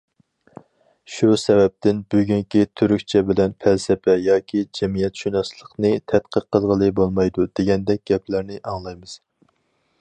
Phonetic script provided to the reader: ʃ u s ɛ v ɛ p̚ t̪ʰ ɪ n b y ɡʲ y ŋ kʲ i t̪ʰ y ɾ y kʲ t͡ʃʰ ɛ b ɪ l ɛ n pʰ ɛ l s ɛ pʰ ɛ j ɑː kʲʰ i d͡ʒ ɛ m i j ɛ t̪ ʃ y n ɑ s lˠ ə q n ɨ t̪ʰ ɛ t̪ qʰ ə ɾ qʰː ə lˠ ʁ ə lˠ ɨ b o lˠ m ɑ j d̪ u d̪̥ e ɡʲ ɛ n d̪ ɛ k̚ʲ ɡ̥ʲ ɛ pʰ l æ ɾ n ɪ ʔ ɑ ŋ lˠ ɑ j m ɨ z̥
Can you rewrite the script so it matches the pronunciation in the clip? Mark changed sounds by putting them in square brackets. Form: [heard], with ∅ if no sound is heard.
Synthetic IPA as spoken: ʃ u s ɛ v ɛ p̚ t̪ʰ ɪ n b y ɡʲ y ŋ kʲ i t̪ʰ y ɾ y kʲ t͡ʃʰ ɛ b ɪ l ɛ n pʰ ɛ l s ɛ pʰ ɛ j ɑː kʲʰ i d͡ʒ ɛ m i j ɛ t̪ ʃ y n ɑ s lˠ ə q n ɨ t̪ʰ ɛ t̪ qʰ ə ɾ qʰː ə lˠ ʁ ə lˠ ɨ b o lˠ m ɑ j d̪ u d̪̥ e ɡʲ ɛ n d̪ ɛ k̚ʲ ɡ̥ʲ ɛ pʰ l æ ɾ n ɪ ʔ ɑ ŋ lˠ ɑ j m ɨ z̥

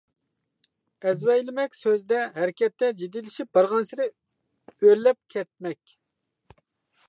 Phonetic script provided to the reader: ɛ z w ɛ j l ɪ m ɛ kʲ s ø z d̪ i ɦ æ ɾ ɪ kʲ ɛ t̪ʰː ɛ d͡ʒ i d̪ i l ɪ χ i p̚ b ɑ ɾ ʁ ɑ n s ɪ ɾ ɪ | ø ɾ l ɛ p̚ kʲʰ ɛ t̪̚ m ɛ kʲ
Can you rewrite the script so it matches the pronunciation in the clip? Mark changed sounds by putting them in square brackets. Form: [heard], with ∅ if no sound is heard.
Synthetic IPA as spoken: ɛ z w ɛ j l ɪ m ɛ kʲ s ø z d̪ [ɛ] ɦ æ ɾ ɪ kʲ ɛ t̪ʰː ɛ d͡ʒ i d̪ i l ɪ [ʃ] i p̚ b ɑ ɾ ʁ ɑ n s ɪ ɾ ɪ | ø ɾ l ɛ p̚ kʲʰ ɛ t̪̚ m ɛ kʲ

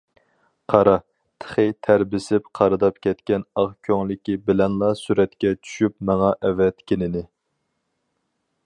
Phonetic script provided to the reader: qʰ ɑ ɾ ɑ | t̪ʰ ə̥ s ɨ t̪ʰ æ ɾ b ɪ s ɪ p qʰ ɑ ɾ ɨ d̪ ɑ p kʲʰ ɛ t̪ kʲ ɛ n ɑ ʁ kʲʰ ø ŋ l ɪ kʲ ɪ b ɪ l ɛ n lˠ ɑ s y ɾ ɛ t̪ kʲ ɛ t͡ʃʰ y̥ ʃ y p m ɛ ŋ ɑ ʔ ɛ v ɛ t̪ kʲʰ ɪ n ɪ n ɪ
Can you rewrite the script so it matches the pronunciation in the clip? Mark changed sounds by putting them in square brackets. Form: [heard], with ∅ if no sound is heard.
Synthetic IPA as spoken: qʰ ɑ ɾ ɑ | t̪ʰ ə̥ [χ] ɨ t̪ʰ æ ɾ b ɪ s ɪ p qʰ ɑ ɾ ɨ d̪ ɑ p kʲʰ ɛ t̪ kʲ ɛ n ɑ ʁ kʲʰ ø ŋ l ɪ kʲ [i] b ɪ l ɛ n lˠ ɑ s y ɾ ɛ t̪ kʲ ɛ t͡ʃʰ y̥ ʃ y p m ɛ ŋ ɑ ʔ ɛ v ɛ t̪ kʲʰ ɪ n ɪ n ɪ

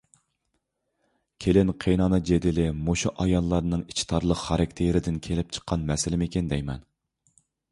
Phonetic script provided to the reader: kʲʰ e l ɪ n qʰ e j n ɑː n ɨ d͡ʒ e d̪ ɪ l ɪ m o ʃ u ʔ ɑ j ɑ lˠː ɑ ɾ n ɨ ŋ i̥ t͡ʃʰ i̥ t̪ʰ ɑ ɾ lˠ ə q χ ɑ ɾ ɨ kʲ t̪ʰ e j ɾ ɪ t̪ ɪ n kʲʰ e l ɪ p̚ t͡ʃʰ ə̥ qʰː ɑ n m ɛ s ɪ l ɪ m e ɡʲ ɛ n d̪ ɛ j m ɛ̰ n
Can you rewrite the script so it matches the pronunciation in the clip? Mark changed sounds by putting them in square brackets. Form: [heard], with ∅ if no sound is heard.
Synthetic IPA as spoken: kʲʰ e l ɪ n qʰ e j n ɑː n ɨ d͡ʒ e d̪ ɪ l ɪ m o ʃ u ʔ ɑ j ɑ lˠː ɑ ɾ n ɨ ŋ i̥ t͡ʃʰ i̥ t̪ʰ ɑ ɾ lˠ ə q χ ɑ ɾ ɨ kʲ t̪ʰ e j ɾ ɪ [d̪] ɪ n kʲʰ e l ɪ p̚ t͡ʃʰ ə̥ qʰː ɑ n m ɛ s ɪ l ɪ m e [kʲ] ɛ n d̪ ɛ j m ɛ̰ n

